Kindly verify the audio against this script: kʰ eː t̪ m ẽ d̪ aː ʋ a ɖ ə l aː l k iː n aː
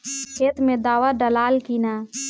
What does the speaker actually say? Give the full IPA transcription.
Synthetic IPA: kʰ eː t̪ m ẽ d̪ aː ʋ a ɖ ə l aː l k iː n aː